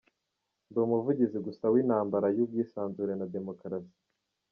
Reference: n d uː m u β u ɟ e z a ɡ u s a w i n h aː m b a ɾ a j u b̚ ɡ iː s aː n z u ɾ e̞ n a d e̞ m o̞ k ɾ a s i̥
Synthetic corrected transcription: n d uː m u v u ɟ i z i ɡ u s a w i n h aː m b a ɾ a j u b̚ ɡ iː s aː n z u ɾ e̞ n a d e̞ m o̞ k ɾ a s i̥